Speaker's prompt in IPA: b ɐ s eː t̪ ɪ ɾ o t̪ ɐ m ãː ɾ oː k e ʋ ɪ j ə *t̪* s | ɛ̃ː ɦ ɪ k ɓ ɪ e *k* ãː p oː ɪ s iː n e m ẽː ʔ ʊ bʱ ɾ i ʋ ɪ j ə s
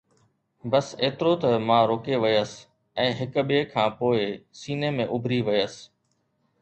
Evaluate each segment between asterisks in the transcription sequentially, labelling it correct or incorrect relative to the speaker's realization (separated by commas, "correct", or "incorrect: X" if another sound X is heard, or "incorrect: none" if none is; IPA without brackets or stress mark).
incorrect: none, incorrect: kʰ